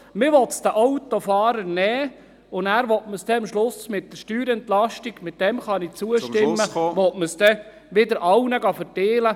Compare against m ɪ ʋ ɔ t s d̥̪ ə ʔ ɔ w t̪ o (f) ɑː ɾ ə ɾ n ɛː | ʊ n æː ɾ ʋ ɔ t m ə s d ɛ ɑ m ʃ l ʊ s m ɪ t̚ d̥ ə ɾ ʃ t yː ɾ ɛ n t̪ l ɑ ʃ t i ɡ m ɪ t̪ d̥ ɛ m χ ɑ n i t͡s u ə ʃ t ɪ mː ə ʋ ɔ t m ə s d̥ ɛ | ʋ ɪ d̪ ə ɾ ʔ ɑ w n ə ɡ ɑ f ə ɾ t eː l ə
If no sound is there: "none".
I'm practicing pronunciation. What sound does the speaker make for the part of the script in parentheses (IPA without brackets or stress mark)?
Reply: f